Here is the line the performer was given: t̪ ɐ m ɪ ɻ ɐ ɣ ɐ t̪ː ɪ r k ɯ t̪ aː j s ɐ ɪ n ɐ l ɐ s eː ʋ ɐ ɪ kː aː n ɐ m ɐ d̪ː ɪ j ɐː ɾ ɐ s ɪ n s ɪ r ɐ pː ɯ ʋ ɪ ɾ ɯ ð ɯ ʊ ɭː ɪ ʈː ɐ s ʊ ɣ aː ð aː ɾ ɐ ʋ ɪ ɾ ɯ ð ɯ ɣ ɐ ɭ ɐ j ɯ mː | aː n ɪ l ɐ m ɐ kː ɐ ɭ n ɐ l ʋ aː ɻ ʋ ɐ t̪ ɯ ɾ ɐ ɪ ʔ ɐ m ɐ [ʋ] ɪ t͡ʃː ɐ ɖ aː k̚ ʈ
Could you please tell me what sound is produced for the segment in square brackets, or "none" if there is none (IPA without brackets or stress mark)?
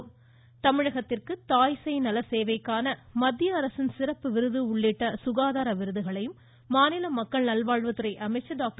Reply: none